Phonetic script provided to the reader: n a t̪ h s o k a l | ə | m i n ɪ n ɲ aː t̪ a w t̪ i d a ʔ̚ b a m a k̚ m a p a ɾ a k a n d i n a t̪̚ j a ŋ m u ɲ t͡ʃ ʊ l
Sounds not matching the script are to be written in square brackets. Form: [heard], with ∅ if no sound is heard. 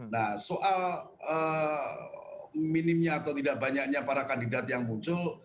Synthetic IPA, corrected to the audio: n a [∅] h s o [ʔ] a l | ə | m i n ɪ [m] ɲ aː t̪ a w t̪ i d a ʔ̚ b a [ɲ] a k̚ [ɲ] a p a ɾ a k a n d i [d] a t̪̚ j a ŋ m u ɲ t͡ʃ ʊ l